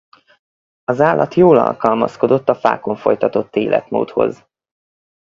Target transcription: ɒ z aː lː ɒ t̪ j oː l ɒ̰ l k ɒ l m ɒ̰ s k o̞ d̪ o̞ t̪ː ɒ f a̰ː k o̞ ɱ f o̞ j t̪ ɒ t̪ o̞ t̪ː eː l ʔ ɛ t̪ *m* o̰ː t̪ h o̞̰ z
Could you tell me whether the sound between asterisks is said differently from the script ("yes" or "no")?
no